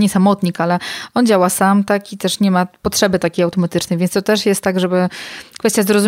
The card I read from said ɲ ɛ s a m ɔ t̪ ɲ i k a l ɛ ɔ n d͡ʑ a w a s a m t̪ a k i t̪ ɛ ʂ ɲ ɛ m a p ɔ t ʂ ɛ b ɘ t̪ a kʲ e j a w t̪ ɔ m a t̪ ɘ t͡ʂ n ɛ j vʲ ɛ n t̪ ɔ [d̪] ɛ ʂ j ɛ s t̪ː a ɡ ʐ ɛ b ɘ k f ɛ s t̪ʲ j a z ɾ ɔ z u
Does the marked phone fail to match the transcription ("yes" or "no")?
yes